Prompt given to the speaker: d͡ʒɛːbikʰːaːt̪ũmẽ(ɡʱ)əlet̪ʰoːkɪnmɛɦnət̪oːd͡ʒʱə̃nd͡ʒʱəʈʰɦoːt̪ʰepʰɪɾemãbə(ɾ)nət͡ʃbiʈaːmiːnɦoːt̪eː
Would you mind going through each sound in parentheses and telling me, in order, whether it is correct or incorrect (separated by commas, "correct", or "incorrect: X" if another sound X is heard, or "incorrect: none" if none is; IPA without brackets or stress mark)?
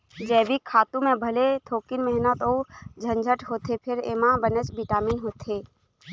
incorrect: bʱ, incorrect: none